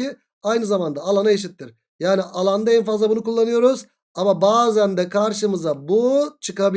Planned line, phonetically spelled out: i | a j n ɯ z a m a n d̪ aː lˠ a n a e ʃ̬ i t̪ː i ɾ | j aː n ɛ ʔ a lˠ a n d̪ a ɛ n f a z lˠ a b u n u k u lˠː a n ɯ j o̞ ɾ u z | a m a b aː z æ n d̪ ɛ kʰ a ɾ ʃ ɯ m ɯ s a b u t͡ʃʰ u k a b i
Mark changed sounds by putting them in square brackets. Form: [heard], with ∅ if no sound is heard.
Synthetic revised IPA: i | a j n ɯ z a m a n d̪ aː lˠ a n a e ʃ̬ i t̪ː i ɾ | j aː n [i] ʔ a lˠ a n d̪ a ɛ n f a z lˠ a b u n u k u lˠː a n ɯ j o̞ ɾ u z | a m a b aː z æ n d̪ ɛ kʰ a ɾ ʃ ɯ m ɯ [z] a b u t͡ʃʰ [ɯ] k a b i